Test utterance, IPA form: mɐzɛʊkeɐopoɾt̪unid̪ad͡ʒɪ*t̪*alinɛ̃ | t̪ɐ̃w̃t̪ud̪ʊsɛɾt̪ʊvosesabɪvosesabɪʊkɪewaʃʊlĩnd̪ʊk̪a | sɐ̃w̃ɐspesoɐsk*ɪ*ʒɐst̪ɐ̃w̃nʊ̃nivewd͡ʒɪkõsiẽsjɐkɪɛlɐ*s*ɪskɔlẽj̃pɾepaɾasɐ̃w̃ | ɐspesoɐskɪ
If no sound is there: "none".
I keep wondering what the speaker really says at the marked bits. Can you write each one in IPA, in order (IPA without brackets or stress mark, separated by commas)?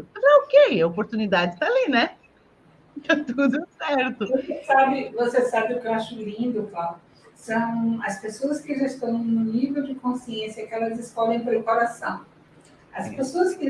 t̪, ɪ, z